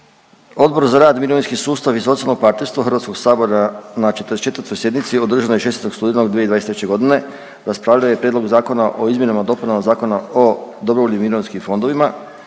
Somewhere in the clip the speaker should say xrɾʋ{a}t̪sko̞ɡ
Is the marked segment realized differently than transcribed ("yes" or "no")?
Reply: no